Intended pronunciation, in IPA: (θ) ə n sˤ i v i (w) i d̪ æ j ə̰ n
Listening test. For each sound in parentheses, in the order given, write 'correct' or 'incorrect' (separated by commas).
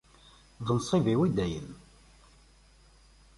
incorrect, correct